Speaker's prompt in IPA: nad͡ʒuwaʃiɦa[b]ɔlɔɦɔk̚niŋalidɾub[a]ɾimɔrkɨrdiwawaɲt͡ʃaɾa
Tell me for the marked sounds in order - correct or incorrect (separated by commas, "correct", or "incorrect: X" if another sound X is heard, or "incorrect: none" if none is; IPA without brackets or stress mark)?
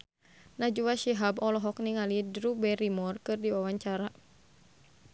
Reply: correct, incorrect: ɛ